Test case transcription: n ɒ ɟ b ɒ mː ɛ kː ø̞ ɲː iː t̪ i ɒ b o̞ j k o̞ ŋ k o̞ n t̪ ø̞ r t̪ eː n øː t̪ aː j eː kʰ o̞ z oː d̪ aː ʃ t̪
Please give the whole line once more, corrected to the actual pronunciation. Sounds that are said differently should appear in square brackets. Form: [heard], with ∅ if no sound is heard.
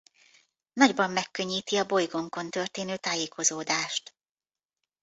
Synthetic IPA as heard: n ɒ ɟ b ɒ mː ɛ kː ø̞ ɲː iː t̪ i ɒ b o̞ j [ɡ] o̞ ŋ k o̞ n t̪ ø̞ r t̪ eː n øː t̪ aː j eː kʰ o̞ z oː d̪ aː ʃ t̪